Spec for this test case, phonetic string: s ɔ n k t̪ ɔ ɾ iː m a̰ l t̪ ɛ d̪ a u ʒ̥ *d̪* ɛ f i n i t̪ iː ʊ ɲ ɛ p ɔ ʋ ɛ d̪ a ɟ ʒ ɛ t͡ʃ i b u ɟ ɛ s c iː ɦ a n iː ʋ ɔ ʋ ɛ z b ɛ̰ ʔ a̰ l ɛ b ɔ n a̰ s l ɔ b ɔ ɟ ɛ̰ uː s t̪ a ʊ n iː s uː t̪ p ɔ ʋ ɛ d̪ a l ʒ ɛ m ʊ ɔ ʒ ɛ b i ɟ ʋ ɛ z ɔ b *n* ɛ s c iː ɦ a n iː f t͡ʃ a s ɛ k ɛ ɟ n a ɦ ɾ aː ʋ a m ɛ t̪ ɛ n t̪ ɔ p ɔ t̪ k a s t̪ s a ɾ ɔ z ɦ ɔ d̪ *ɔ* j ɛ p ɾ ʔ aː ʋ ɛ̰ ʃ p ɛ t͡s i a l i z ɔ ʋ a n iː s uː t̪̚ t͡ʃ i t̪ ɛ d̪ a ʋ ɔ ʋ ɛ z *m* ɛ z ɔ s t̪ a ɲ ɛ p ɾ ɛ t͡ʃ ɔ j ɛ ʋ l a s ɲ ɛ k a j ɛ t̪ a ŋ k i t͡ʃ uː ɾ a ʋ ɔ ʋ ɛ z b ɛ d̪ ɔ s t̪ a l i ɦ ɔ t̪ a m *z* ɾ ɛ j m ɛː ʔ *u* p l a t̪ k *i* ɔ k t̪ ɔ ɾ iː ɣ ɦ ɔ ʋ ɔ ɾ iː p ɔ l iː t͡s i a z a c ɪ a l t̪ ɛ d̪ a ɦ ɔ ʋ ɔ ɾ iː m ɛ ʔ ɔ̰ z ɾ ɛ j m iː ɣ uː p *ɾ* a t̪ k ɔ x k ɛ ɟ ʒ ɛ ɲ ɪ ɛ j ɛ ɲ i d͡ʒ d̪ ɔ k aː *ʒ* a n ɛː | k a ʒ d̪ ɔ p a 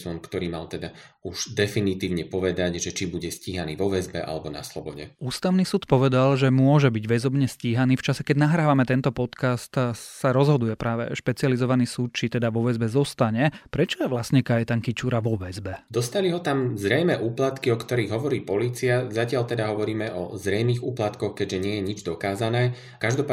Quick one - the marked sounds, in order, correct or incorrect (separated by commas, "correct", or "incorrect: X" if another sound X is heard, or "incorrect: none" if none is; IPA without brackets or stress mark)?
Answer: correct, incorrect: ɲ, incorrect: u, incorrect: b, correct, incorrect: uː, correct, incorrect: l, incorrect: z